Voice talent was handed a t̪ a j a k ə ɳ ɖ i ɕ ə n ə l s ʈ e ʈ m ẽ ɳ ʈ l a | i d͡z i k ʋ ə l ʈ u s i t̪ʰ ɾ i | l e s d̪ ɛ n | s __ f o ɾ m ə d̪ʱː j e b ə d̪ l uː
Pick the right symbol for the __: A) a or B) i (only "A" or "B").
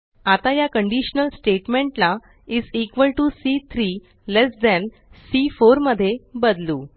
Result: B